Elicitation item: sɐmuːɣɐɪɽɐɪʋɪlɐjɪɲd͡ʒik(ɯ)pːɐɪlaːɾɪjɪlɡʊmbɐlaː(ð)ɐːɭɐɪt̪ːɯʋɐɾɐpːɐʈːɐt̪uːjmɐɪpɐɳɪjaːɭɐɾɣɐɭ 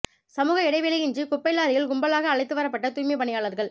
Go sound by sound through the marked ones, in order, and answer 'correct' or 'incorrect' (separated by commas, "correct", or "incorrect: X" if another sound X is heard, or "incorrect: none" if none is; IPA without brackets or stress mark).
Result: incorrect: ʊ, incorrect: ɣ